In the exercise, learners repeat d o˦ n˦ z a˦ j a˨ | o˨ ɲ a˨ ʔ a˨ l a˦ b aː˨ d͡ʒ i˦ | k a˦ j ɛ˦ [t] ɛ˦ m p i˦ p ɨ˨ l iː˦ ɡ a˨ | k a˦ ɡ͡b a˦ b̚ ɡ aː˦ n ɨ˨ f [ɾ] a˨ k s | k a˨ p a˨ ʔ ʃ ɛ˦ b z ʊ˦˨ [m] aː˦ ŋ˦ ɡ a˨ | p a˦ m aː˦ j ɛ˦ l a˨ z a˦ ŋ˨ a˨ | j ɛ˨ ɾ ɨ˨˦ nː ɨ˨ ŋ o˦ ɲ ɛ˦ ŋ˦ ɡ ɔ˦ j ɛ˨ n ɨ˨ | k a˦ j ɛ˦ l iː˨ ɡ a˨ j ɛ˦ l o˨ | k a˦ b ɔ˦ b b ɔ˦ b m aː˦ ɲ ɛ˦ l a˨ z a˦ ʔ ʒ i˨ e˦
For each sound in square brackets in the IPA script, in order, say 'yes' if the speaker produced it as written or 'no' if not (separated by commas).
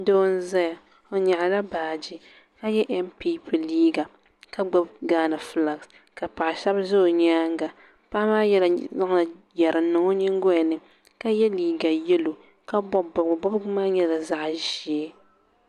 no, no, no